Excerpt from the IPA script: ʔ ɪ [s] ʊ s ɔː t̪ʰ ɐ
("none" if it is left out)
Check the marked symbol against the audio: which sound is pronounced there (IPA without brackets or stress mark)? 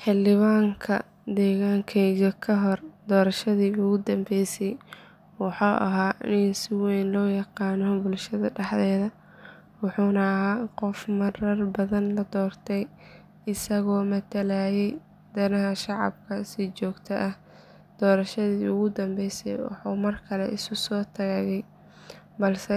s